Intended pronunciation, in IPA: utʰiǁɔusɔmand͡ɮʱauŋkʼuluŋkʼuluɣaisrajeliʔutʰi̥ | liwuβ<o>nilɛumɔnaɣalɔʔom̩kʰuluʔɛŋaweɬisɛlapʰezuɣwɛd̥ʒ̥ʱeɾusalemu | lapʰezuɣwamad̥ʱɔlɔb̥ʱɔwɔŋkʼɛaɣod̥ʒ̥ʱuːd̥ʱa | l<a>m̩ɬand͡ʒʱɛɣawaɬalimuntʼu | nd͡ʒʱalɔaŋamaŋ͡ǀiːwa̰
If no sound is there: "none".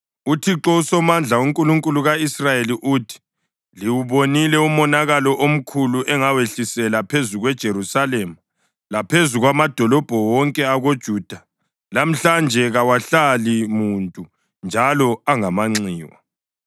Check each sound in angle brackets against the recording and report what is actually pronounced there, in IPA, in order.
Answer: o, a

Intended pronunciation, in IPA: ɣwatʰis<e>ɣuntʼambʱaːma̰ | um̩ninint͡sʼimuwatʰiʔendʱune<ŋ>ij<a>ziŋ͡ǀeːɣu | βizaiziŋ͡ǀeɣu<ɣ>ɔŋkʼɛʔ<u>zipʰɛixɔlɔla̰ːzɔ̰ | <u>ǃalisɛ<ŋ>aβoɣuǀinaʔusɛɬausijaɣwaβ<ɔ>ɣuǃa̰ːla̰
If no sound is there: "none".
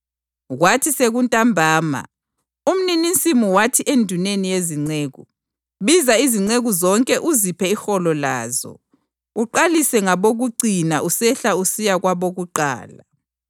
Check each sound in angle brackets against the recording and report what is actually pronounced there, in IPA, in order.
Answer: e, n, e, z, u, u, ŋ, o

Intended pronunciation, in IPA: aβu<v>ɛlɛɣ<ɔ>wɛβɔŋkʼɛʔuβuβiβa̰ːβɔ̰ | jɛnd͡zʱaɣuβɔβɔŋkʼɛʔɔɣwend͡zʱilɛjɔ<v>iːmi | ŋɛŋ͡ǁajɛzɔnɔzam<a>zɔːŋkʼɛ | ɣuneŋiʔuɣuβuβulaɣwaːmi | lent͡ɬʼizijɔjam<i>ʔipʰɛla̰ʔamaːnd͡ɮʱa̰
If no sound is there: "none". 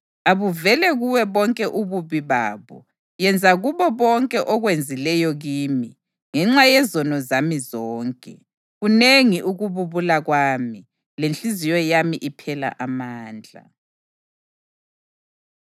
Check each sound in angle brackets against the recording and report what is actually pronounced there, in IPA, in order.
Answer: v, u, ɣ, i, i

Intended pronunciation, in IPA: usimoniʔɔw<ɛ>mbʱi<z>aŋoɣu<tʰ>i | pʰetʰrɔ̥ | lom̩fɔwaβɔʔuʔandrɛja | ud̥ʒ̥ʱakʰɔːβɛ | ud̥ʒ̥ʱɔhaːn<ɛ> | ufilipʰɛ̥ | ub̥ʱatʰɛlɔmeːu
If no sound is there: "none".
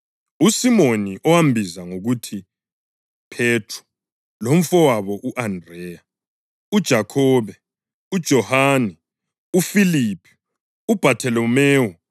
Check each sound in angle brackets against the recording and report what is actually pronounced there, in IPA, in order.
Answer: a, z, tʰ, ɛ

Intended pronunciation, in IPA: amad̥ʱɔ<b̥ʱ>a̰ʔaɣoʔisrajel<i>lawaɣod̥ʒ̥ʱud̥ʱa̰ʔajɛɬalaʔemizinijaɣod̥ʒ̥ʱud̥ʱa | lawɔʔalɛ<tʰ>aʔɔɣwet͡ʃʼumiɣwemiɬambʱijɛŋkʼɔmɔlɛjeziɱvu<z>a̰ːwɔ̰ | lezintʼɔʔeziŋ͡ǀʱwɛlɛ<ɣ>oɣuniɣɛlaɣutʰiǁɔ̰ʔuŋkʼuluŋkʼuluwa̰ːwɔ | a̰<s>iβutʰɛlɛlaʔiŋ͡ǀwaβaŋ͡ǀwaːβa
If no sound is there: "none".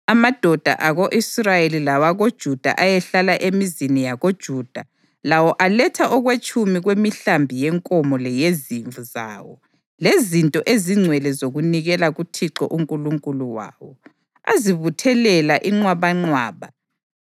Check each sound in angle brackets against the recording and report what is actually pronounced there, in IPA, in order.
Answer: d̥ʱ, i, tʰ, z, z, z

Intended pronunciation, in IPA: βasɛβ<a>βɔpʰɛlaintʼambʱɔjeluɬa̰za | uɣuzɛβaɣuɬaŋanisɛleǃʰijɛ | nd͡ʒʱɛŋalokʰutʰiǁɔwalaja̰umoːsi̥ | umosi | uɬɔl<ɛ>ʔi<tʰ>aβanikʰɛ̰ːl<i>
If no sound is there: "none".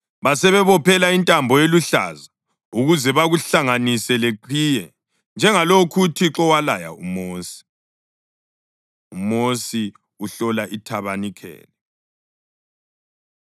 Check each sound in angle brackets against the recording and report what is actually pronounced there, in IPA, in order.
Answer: ɛ, a, tʰ, ɛ

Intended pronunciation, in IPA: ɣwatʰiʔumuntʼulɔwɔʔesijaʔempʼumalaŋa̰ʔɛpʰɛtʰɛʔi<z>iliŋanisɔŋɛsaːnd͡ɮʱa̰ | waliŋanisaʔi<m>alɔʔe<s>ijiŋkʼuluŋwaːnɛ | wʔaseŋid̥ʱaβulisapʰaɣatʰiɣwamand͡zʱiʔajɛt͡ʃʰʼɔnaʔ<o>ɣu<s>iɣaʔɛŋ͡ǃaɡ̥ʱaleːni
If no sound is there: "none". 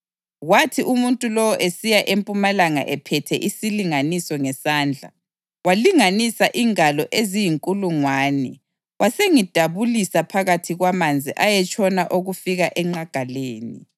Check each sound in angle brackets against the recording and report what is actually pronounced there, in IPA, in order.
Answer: s, ŋ, z, o, f

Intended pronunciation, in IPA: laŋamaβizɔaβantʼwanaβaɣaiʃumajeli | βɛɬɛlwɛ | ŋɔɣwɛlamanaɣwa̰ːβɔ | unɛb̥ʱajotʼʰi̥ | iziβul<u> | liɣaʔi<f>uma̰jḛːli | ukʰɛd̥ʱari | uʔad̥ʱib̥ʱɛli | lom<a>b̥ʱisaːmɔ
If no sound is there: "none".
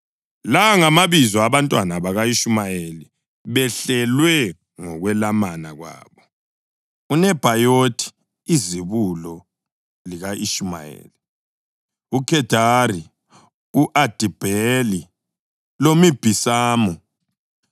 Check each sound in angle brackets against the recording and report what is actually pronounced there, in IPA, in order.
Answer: ɔ, ʃ, i

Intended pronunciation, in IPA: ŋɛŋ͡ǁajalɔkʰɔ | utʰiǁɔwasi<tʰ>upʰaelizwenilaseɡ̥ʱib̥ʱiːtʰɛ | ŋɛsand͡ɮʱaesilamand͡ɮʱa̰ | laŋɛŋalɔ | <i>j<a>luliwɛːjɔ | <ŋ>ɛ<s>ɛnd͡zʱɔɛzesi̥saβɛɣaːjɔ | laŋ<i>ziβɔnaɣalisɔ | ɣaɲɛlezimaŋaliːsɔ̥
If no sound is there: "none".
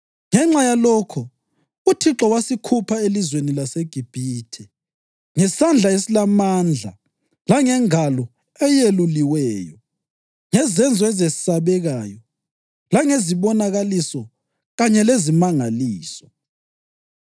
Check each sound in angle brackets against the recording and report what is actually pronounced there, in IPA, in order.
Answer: kʰ, ɛ, e, ŋ, z, e

